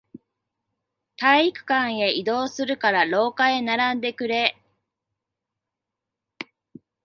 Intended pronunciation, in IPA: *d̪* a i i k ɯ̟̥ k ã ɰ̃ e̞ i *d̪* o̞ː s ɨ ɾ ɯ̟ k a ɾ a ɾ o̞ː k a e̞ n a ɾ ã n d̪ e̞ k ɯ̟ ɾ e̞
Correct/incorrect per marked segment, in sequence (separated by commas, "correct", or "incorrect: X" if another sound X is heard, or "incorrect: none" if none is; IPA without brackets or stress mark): incorrect: t̪, correct